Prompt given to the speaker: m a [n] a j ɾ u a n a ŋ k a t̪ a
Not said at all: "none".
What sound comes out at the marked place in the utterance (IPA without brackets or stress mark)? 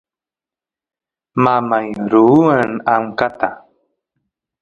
m